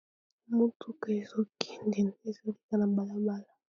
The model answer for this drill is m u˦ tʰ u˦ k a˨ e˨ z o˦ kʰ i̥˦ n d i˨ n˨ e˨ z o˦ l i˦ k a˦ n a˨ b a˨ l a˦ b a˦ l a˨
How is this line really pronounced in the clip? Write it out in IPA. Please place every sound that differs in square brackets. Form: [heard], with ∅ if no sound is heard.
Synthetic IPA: m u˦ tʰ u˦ k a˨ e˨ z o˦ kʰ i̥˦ n d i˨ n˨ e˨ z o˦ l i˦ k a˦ n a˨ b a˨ l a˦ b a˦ l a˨